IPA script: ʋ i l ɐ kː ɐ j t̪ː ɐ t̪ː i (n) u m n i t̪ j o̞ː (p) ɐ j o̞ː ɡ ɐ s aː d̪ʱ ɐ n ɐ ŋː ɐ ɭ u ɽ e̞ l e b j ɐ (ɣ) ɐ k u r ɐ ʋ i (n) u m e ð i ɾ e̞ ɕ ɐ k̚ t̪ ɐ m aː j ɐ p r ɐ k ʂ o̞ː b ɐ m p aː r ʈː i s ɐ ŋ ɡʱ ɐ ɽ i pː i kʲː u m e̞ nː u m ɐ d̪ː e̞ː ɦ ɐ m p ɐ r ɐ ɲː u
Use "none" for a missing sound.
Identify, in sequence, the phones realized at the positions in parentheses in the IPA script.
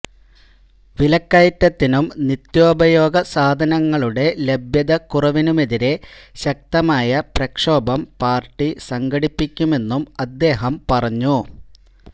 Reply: n, b, ð, n

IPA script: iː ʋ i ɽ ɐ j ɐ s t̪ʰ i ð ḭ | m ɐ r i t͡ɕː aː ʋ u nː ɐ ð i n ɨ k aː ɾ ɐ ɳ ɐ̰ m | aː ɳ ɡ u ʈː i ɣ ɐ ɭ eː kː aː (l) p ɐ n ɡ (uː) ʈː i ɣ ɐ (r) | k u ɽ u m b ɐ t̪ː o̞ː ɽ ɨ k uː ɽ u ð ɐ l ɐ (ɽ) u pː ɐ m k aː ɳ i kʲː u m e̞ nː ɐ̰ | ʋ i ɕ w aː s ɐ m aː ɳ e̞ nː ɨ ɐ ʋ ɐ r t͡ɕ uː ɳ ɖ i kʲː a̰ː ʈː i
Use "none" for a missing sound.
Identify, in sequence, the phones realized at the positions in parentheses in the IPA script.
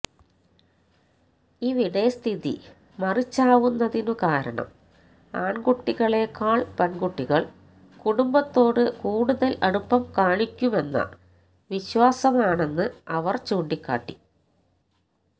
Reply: ɭ, u, ɭ, ɽ

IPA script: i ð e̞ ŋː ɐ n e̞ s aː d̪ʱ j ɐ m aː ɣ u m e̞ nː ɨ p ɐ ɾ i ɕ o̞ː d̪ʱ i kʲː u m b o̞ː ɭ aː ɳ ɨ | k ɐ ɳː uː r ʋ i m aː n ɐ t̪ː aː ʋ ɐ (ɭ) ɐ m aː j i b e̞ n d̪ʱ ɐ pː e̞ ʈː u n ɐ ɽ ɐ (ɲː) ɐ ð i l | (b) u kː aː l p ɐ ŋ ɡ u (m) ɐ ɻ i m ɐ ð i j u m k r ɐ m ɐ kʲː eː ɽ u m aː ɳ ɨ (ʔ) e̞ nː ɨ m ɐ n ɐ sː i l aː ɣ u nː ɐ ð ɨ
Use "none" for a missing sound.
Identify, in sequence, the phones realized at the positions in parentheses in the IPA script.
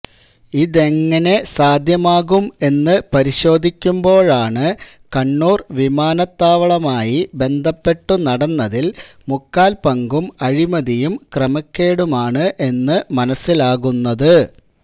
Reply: ɭ, nː, m, m, ʔ

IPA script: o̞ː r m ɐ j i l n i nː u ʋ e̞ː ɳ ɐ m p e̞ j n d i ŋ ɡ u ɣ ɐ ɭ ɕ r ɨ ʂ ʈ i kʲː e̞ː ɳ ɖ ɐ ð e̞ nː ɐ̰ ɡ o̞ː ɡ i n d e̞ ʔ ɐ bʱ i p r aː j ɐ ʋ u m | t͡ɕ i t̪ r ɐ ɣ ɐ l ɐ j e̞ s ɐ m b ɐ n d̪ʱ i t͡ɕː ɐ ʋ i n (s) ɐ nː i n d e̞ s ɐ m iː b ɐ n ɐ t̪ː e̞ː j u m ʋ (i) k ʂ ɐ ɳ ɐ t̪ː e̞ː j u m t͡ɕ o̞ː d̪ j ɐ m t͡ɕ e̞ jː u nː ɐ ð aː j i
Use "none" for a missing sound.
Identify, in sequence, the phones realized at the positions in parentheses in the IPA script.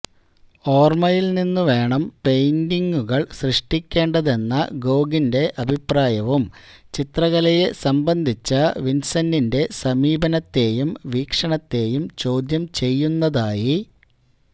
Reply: s, iː

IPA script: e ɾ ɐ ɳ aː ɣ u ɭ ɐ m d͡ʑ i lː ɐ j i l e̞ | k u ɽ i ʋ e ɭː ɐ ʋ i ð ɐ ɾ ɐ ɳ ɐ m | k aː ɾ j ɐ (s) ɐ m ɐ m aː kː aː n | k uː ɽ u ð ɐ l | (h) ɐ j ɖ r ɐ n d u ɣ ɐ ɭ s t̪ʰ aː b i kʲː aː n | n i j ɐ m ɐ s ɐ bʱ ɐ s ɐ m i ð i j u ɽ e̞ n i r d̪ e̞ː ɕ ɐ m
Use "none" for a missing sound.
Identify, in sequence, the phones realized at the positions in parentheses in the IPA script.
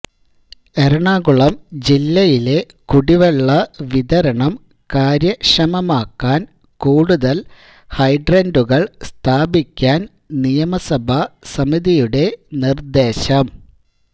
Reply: ʂ, h

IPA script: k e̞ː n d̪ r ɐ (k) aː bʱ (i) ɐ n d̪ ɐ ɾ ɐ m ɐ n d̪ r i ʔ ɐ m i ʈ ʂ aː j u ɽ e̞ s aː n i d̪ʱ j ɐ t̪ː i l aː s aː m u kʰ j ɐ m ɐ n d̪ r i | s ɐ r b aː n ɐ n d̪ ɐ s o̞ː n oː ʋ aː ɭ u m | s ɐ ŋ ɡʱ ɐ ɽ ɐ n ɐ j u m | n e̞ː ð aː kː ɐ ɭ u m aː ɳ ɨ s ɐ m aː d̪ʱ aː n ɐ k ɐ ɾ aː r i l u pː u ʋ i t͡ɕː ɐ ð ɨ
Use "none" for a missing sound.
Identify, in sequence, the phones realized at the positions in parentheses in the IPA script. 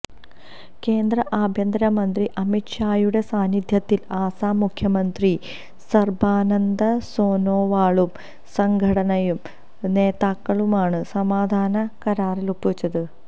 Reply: ʔ, j

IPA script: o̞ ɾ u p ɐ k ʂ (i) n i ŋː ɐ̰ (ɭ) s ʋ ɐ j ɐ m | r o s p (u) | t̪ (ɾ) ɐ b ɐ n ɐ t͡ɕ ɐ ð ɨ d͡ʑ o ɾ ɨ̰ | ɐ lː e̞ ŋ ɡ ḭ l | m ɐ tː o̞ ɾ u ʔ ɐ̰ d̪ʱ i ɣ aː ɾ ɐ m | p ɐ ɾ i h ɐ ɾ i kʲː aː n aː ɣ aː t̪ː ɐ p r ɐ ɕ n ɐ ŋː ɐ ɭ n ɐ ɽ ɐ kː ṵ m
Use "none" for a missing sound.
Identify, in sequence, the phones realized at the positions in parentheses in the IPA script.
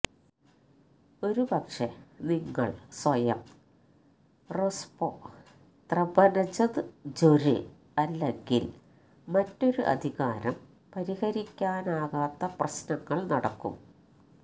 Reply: e, ɭ, o, r

